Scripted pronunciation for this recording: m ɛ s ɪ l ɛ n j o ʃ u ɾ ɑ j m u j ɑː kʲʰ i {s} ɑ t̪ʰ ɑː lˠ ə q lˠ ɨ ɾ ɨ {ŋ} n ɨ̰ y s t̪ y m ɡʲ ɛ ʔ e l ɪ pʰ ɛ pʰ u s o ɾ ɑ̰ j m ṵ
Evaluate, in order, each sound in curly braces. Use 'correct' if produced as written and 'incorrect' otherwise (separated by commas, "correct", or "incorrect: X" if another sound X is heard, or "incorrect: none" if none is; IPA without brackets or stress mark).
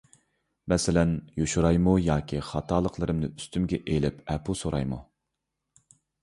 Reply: incorrect: χ, incorrect: m